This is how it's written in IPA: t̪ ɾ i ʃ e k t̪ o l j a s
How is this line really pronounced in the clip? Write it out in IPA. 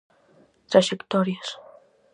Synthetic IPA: t̪ ɾ a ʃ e k t̪ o ɾ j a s